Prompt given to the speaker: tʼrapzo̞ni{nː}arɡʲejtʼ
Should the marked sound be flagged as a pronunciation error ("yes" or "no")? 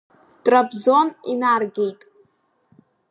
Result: yes